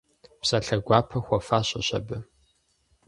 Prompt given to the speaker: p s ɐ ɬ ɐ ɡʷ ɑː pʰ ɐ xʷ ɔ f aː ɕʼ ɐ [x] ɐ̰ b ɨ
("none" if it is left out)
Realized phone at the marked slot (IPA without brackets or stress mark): ɕ